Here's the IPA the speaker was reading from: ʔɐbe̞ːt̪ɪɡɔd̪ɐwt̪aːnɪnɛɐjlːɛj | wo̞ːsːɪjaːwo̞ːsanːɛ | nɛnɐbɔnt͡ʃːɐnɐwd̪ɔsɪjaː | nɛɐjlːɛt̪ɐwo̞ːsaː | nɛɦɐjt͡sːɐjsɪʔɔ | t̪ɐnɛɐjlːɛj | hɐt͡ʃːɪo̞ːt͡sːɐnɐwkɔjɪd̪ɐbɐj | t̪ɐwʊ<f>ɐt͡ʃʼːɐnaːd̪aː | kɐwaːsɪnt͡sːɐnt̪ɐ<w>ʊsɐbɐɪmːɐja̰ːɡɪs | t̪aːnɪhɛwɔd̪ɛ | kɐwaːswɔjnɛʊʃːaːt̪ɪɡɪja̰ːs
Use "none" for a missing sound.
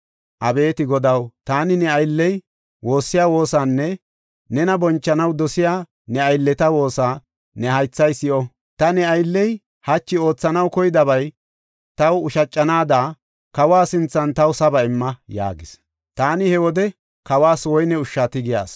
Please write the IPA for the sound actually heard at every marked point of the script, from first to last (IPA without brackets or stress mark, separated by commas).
ʃ, w